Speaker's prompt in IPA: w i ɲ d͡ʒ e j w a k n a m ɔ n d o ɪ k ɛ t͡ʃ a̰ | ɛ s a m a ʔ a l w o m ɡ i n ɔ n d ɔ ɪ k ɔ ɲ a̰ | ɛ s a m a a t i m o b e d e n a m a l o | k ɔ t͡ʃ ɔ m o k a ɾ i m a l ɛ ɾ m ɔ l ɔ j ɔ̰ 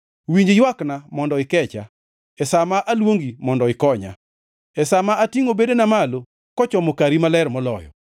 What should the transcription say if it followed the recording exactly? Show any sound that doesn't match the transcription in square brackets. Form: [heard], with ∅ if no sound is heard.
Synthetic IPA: w i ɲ d͡ʒ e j w a k n a m ɔ n d [ɔ] ɪ k ɛ t͡ʃ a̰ | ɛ s a m a ʔ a l w o [ŋ] ɡ i [m] ɔ n d ɔ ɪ k ɔ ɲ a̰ | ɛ s a m a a t i [ŋ] o b e d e n a m a l o | k ɔ t͡ʃ ɔ m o k a ɾ i m a l ɛ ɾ m ɔ l ɔ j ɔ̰

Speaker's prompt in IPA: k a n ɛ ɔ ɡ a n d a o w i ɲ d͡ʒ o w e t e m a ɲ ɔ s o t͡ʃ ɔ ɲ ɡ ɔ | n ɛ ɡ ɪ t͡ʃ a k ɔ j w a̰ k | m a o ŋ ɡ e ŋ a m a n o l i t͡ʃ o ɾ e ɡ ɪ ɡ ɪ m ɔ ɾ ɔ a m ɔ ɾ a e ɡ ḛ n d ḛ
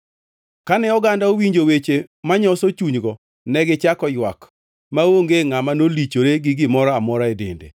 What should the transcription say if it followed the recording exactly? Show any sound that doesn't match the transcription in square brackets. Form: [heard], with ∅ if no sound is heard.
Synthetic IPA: k a n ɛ ɔ ɡ a n d a o w i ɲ d͡ʒ o w e [t͡ʃ] e m a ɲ ɔ s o t͡ʃ [u] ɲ ɡ ɔ | n ɛ ɡ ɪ t͡ʃ a k ɔ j w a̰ k | m a o ŋ ɡ e ŋ a m a n o l i t͡ʃ o ɾ e ɡ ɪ ɡ ɪ m ɔ ɾ ɔ a m ɔ ɾ a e [d] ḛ n d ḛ

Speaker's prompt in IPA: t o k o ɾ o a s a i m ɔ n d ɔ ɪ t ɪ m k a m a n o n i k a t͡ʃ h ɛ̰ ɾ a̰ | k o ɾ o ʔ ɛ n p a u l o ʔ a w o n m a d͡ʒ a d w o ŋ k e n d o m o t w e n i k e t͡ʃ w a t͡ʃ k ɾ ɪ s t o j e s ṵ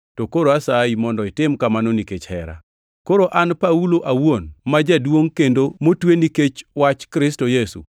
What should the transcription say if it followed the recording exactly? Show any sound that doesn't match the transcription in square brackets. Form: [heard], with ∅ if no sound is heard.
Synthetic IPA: t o k o ɾ o a s a i m ɔ n d ɔ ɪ t ɪ m k a m a n o n i k [e] t͡ʃ h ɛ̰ ɾ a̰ | k o ɾ o ʔ [a] n p a u l o ʔ a w o n m a d͡ʒ a d w o ŋ k e n d o m o t w e n i k e t͡ʃ w a t͡ʃ k ɾ ɪ s t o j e s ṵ

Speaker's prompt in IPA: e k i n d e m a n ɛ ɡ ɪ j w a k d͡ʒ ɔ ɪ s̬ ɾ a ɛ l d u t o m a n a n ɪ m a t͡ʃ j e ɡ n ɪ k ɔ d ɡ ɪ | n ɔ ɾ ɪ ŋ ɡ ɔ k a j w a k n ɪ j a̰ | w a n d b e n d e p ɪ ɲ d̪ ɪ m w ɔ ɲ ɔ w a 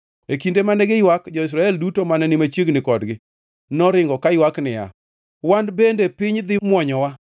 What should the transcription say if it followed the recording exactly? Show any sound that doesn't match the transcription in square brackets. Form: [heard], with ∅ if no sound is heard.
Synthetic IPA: e k i n d e m a n ɛ ɡ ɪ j w a k d͡ʒ ɔ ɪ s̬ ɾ a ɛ l d u t o m a n [ɛ] n ɪ m a t͡ʃ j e ɡ n ɪ k ɔ d ɡ ɪ | n ɔ ɾ ɪ ŋ ɡ ɔ k a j w a k n ɪ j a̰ | w a n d b e n d e p ɪ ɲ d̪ ɪ m w ɔ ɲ ɔ w a

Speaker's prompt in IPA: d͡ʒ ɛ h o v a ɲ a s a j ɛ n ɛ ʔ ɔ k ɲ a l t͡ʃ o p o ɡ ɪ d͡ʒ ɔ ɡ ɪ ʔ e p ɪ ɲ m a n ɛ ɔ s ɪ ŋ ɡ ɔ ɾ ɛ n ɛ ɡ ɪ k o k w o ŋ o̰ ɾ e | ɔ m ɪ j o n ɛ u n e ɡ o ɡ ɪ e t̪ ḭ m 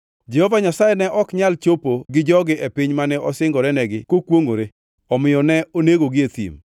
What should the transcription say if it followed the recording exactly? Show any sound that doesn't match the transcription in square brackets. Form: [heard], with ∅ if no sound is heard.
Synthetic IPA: d͡ʒ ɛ h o v a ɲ a s a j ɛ n ɛ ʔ ɔ k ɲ a l t͡ʃ o p o ɡ ɪ d͡ʒ ɔ ɡ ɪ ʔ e p ɪ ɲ m a n ɛ ɔ s ɪ ŋ ɡ ɔ ɾ ɛ n ɛ ɡ ɪ k o k w o ŋ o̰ ɾ e | ɔ m ɪ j [ɔ] n ɛ [o] n e ɡ o ɡ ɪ e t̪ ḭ m

